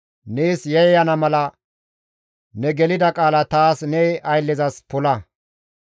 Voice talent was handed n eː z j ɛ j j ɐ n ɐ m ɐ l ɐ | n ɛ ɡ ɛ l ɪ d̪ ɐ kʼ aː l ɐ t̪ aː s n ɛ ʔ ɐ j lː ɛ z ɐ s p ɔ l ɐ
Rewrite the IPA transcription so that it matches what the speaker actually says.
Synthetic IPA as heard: n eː s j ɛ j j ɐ n ɐ m ɐ l ɐ | n ɛ ɡ ɛ l ɪ d̪ ɐ kʼ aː l ɐ t̪ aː s n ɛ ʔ ɐ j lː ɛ z ɐ s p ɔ l ɐ